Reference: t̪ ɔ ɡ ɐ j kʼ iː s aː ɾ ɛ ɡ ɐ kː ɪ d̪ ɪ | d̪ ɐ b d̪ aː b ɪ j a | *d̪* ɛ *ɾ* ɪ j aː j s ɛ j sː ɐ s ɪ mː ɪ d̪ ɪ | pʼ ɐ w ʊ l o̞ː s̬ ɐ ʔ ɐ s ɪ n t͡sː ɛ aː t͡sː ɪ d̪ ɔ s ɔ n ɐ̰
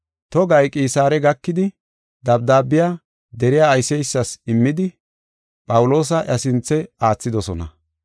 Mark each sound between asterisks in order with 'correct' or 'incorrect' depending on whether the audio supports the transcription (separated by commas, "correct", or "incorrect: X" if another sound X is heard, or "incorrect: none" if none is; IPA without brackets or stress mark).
correct, correct